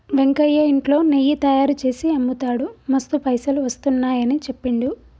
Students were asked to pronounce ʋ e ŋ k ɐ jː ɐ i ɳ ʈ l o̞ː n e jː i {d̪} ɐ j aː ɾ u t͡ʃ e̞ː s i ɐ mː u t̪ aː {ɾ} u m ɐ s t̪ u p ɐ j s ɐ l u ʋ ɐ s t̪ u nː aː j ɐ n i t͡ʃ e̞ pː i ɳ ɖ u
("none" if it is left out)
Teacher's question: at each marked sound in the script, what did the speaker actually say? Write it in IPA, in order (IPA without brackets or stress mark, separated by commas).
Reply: t̪, ɽ